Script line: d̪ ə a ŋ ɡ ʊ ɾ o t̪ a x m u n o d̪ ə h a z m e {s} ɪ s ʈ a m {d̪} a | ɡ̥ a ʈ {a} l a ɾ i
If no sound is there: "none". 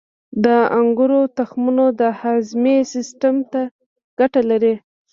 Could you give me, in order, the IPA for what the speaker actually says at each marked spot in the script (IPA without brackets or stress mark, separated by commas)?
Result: s, t̪, a